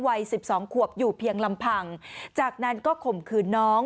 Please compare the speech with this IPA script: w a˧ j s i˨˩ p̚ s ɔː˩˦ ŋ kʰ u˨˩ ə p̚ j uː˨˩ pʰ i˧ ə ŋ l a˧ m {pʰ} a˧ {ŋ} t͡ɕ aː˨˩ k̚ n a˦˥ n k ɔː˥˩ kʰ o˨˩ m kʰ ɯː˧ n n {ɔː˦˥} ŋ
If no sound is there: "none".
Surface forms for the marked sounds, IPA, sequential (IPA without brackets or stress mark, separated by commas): pʰ, ŋ, ɔː˦˥